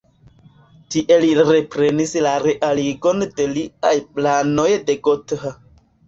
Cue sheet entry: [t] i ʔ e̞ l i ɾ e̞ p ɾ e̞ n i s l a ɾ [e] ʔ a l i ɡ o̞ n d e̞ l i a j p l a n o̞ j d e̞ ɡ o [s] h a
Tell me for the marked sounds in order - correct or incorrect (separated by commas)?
correct, correct, incorrect